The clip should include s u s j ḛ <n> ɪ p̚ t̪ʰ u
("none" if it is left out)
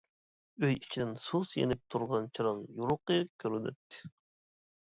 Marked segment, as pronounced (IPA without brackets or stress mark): n